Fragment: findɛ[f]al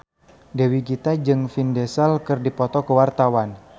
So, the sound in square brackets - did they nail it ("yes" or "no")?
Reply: no